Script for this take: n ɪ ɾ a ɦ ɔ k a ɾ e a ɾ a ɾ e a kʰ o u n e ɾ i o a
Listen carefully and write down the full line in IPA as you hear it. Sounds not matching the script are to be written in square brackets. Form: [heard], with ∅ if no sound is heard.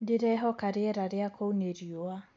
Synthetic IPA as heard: [d] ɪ ɾ [ɛ] ɦ ɔ k a ɾ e [ɛ] ɾ a ɾ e a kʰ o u n e ɾ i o a